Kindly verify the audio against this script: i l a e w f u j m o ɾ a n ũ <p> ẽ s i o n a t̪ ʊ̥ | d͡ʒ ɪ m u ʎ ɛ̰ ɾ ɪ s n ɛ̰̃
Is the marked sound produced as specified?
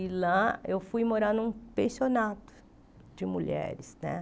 yes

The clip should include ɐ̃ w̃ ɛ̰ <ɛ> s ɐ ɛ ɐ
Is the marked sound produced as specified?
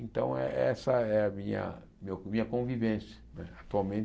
yes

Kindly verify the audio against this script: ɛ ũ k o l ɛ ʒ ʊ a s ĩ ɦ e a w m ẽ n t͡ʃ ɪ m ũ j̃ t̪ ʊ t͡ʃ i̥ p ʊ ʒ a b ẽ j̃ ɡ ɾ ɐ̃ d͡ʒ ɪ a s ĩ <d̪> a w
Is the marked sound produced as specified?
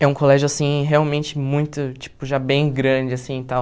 no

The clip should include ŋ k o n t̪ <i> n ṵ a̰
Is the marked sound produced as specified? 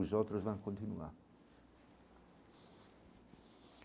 yes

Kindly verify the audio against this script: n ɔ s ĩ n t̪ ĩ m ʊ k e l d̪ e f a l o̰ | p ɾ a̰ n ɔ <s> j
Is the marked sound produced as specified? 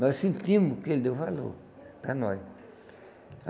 no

